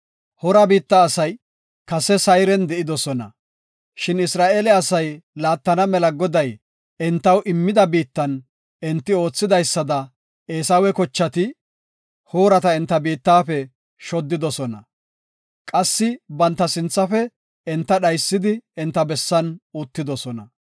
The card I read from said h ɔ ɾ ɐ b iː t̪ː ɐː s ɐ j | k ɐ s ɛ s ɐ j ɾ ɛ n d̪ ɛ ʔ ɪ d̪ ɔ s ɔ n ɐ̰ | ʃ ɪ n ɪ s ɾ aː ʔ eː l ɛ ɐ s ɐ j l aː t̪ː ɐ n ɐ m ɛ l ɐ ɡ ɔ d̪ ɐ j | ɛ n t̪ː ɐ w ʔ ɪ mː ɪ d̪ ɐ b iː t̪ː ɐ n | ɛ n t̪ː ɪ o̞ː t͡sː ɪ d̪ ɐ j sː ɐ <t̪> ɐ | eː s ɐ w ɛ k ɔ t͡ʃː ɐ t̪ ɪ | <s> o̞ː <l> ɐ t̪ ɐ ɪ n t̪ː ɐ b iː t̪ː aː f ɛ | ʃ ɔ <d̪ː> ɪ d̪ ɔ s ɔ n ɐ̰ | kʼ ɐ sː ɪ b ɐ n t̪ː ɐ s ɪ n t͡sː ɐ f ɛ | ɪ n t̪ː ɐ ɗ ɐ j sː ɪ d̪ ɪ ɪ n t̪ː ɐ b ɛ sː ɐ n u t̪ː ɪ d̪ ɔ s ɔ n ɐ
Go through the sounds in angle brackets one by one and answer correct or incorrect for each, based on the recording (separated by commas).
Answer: incorrect, incorrect, incorrect, correct